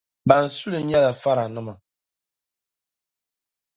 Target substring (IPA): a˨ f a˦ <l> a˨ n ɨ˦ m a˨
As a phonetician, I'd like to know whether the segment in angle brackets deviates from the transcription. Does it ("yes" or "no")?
yes